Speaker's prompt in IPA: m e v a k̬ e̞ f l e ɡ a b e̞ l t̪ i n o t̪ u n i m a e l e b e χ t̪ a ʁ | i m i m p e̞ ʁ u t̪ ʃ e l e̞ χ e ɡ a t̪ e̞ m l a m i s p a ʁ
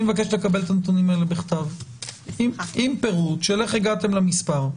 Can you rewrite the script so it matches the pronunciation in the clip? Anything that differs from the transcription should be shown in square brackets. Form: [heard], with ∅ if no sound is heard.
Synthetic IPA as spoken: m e v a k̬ e̞ [ʃ] l e [k] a b e̞ l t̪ [a] n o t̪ u n i m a e l e b e χ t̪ a [v] | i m i m p e̞ ʁ u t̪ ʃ e l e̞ χ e ɡ a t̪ e̞ m l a m i s p a ʁ